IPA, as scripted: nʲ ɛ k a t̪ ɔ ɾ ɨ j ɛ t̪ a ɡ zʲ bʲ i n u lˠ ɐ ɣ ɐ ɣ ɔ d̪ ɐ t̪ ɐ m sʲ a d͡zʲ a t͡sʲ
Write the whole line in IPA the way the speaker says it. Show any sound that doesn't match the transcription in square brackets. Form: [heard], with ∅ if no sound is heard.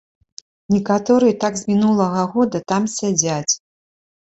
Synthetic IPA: nʲ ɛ k a t̪ ɔ ɾ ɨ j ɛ t̪ a ɡ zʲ [mʲ] i n u lˠ ɐ ɣ ɐ ɣ ɔ d̪ ɐ t̪ [a] m sʲ a d͡zʲ a t͡sʲ